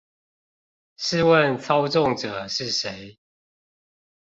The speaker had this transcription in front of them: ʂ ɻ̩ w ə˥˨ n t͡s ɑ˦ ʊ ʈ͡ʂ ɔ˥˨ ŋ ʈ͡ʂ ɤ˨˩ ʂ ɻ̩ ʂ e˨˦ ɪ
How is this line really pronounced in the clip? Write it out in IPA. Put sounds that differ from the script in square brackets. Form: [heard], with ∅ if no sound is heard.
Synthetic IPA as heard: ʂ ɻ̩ w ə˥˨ n [t͡sʰ] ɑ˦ ʊ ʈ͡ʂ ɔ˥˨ ŋ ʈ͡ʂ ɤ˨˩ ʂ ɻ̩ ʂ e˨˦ ɪ